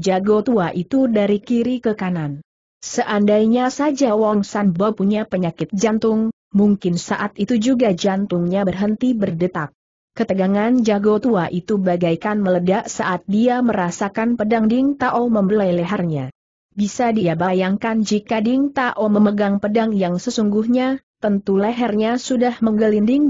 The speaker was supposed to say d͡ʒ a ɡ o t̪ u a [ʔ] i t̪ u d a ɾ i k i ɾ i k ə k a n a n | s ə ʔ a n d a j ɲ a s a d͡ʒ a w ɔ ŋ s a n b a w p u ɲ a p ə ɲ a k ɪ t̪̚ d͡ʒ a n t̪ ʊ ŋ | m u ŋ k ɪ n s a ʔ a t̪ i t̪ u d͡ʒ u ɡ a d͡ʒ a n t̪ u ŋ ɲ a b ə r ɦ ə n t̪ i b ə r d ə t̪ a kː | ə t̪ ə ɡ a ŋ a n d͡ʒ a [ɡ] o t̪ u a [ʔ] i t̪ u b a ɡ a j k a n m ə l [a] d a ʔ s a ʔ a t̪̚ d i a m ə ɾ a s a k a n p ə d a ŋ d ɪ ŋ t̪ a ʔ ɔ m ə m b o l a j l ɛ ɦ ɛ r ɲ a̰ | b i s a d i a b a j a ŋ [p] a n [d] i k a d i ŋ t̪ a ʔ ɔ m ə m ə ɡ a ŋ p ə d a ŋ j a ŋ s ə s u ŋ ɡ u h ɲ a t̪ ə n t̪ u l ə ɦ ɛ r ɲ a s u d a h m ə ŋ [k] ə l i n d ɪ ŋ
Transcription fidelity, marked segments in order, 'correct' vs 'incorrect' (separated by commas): correct, correct, correct, incorrect, incorrect, incorrect, incorrect